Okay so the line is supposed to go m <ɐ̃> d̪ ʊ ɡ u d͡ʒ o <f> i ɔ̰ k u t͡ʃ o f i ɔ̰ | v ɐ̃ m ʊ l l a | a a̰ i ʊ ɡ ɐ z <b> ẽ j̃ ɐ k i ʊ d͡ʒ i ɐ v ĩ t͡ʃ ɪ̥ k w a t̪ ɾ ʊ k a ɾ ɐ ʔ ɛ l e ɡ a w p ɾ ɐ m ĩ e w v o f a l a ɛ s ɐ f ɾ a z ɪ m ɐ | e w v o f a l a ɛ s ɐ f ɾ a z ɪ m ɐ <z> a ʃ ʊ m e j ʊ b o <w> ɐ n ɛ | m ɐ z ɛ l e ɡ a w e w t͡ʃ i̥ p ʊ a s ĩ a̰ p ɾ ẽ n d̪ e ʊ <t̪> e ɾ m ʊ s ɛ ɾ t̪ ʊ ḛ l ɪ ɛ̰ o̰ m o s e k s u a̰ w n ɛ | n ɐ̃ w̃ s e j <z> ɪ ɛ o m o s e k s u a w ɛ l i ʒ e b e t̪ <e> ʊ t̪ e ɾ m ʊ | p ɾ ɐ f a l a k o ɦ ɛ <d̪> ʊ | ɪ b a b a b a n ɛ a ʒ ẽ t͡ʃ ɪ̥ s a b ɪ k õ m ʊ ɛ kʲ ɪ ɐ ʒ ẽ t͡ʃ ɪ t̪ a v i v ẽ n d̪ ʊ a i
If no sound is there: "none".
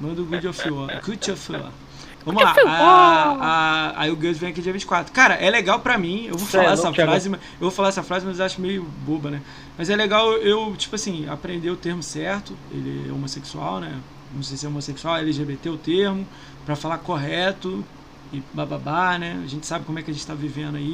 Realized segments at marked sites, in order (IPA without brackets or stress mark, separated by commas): ɐ̃, f, v, z, b, t̪, s, e, t̪